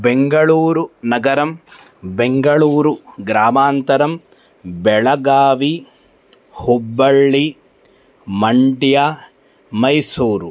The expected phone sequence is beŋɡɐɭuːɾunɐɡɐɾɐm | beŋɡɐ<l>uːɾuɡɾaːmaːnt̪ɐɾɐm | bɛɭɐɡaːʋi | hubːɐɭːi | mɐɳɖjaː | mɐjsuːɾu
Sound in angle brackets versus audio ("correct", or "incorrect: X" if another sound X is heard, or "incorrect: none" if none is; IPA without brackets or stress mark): incorrect: ɭ